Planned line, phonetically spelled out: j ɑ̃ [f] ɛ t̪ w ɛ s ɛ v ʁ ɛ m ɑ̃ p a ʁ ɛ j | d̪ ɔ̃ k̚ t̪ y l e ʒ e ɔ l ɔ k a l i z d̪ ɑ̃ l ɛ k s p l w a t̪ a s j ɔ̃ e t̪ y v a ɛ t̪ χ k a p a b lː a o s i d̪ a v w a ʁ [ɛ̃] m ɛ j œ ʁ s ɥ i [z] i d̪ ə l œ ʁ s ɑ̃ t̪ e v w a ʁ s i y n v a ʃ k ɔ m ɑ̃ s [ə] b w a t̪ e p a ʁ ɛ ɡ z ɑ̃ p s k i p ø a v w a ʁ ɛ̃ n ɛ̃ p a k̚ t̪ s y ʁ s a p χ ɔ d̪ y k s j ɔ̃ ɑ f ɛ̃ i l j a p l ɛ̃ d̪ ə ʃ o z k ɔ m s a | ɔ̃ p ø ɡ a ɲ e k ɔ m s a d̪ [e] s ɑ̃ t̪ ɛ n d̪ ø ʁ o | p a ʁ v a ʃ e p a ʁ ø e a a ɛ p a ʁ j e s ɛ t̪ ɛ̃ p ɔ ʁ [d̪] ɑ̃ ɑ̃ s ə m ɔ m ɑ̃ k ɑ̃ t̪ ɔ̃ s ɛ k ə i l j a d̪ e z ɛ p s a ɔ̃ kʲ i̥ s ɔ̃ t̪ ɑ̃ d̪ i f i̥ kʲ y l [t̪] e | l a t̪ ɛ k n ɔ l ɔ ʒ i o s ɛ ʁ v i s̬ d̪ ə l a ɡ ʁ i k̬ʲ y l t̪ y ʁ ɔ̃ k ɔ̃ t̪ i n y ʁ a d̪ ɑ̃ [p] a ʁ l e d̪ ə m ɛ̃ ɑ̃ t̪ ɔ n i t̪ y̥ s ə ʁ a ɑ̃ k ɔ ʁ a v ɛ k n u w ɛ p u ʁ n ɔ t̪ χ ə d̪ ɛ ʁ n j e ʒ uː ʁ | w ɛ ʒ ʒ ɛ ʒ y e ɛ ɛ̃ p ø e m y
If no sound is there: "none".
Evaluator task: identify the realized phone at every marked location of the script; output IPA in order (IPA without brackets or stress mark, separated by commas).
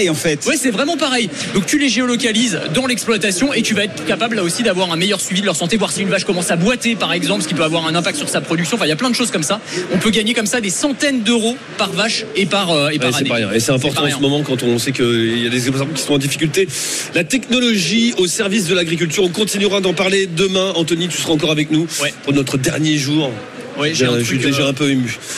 f, ɛ̃, v, a, e, t̪, t̪, p